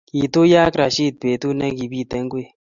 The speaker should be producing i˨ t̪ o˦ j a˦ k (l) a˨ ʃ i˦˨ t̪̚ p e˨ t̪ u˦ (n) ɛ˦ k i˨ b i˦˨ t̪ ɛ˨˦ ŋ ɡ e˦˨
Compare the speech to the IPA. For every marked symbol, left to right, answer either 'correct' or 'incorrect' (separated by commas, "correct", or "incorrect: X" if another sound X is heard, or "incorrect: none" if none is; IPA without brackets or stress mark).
incorrect: ɾ, correct